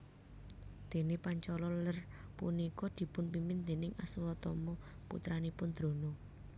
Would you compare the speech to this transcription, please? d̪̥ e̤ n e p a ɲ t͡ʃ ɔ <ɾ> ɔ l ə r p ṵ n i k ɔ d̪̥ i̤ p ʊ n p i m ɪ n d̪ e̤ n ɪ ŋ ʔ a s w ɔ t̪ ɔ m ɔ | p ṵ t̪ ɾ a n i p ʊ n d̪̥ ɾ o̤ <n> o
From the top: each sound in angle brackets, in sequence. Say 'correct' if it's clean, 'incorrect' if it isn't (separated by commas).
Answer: incorrect, correct